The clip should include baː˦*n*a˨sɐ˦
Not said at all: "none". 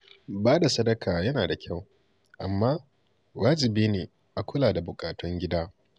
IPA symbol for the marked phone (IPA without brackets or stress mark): d